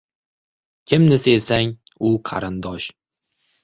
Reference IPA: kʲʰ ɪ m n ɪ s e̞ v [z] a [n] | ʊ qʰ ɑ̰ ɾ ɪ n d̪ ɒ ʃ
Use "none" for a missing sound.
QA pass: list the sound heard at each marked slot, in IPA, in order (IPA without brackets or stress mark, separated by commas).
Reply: s, ŋ